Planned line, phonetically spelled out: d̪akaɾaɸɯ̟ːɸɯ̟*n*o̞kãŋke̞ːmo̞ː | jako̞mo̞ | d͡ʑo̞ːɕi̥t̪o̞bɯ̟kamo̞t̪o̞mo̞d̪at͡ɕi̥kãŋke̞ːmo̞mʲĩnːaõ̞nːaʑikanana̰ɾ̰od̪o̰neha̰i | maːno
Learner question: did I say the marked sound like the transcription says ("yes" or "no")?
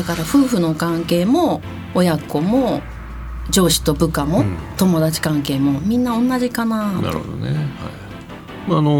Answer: yes